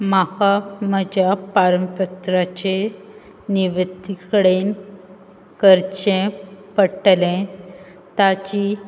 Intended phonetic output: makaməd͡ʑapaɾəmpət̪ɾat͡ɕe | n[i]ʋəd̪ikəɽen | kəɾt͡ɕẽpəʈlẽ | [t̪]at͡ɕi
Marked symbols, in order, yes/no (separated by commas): yes, yes